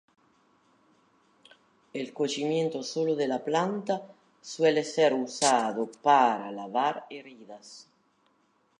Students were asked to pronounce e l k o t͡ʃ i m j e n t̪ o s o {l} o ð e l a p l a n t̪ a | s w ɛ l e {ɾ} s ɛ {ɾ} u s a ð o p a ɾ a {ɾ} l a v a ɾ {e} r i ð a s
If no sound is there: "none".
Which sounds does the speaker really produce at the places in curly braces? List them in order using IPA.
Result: l, none, ɾ, none, e

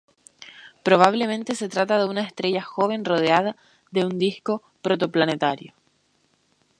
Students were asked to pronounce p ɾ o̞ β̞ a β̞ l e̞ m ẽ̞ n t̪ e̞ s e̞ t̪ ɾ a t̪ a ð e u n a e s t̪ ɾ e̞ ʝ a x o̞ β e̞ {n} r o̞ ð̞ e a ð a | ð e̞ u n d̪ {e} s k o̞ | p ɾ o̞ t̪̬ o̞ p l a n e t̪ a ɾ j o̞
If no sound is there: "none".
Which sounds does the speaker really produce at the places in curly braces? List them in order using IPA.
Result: n, i

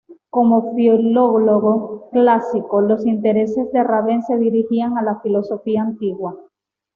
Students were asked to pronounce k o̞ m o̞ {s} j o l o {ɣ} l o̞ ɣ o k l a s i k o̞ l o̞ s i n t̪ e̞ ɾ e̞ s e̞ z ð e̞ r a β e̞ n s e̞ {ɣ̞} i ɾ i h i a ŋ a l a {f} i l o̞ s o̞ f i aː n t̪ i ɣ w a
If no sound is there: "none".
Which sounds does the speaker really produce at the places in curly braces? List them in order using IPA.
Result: f, ɣ, ð̞, f

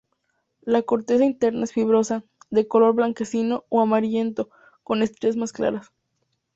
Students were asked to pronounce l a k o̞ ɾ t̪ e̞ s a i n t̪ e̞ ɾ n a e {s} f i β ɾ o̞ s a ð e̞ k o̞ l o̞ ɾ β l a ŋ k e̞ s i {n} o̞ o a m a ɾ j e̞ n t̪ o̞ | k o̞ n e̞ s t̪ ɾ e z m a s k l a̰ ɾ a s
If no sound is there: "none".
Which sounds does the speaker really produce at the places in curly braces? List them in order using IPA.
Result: s, n

